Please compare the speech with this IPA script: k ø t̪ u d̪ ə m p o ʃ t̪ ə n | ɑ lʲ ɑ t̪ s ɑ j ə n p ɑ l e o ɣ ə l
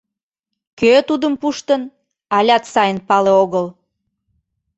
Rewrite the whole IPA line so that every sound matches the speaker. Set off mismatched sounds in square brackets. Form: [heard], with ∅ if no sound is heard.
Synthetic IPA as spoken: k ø t̪ u d̪ ə m p [u] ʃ t̪ ə n | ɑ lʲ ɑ t̪ s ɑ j ə n p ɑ l e o ɣ ə l